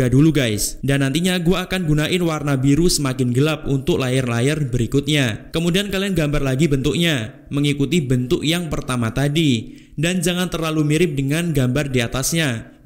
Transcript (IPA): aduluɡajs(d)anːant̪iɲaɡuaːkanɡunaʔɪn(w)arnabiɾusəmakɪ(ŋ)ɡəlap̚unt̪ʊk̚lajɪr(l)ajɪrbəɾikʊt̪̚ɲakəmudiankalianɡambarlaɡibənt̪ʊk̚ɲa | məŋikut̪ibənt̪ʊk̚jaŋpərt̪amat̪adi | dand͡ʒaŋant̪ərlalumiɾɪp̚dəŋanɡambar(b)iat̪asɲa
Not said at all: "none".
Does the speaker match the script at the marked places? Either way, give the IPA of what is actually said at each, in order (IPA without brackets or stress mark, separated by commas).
d, w, n, l, d